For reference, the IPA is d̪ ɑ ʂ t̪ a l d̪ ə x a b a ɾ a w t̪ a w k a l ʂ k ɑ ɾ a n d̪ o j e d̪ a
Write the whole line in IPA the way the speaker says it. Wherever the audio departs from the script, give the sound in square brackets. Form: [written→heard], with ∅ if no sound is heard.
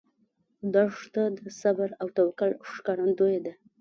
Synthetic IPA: d̪ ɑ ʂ t̪ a [l→∅] d̪ ə [x→s] a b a ɾ a w t̪ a w k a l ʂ k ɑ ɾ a n d̪ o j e d̪ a